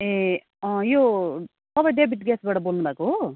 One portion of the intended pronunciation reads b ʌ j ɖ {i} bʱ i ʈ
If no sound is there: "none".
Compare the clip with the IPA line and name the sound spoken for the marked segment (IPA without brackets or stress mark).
e